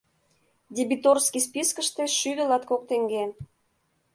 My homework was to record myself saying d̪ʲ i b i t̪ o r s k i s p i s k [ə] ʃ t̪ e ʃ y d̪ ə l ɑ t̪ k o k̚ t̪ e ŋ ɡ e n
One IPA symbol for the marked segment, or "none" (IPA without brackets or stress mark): ə